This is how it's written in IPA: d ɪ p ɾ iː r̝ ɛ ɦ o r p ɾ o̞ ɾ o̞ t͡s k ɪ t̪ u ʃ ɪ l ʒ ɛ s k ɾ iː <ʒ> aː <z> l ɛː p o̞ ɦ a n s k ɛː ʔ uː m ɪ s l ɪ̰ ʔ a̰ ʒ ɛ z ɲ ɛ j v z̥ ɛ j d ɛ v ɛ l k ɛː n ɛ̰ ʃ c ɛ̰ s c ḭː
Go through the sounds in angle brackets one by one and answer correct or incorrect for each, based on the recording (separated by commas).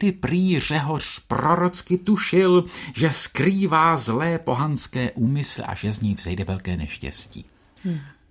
incorrect, correct